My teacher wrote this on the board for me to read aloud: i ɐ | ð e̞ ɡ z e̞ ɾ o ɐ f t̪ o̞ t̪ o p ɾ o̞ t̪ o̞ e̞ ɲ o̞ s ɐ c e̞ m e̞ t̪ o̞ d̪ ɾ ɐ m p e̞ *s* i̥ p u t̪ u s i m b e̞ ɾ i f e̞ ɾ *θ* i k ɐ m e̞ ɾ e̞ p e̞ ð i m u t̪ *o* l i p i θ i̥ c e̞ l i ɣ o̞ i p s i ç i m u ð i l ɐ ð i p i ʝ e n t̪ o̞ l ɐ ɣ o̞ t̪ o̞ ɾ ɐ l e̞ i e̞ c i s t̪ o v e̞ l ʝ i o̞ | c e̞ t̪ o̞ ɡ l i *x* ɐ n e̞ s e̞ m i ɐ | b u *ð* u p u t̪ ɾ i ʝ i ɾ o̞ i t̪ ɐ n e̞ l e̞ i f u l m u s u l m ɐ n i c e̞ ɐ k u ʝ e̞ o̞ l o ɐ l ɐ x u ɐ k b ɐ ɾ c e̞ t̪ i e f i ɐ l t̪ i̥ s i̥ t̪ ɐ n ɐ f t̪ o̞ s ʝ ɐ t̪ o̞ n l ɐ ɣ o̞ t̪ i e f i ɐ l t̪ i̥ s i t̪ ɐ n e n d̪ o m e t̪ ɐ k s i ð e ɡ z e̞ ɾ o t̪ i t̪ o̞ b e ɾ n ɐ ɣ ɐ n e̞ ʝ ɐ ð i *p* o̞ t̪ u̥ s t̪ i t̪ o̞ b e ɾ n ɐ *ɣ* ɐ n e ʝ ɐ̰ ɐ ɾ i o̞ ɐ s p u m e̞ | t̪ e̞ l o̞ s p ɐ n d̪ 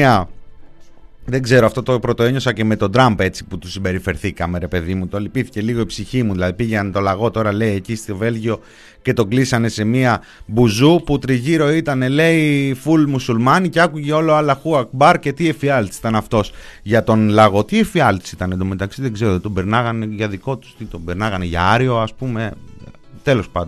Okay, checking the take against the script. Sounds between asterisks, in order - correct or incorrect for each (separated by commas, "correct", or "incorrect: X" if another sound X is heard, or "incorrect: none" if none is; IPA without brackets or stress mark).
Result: incorrect: t͡s, correct, correct, incorrect: s, incorrect: z, incorrect: k, correct